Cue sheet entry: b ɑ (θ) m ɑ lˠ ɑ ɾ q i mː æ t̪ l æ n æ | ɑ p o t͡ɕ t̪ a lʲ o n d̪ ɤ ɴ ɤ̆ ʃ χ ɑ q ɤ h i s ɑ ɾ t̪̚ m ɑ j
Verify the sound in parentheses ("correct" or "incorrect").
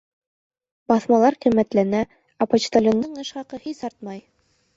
correct